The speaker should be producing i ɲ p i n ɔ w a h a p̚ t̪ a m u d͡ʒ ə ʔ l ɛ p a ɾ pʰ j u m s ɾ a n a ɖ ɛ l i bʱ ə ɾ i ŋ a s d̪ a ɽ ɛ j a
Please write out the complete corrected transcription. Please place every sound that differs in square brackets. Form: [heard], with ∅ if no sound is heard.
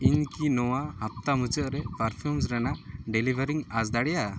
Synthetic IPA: i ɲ [k] i n ɔ w a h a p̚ t̪ a m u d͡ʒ ə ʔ [ɾ] ɛ p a ɾ pʰ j u m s ɾ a n a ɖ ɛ l i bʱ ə ɾ i ŋ a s d̪ a ɽ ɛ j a